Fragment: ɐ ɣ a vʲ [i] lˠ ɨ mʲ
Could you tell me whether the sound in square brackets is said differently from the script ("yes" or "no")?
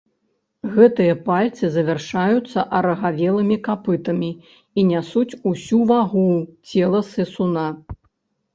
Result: yes